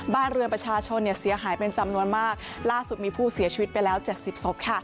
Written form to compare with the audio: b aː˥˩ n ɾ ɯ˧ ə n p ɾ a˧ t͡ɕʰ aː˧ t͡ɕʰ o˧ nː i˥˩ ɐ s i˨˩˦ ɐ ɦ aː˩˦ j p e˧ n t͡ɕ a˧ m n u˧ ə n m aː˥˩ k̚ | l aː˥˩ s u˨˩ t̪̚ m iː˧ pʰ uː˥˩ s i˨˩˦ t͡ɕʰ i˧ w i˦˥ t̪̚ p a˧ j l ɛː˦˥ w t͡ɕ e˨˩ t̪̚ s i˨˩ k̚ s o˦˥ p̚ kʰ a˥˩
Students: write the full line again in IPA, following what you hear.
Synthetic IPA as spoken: b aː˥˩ n ɾ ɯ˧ ə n p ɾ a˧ t͡ɕʰ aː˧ t͡ɕʰ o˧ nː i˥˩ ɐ s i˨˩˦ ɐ ɦ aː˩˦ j p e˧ n t͡ɕ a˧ m n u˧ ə n m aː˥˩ k̚ | l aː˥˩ s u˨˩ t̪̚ m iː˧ pʰ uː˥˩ s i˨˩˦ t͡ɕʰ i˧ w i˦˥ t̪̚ p a˧ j l ɛː˦˥ w t͡ɕ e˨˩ t̪̚ s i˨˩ p̚ s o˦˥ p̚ kʰ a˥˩